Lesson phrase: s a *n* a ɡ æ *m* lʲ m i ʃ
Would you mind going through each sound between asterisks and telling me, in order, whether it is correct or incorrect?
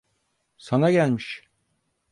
correct, incorrect

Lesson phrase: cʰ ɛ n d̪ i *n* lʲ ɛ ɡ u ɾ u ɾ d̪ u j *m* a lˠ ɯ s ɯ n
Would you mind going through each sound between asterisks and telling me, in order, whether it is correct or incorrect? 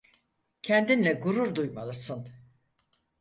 correct, correct

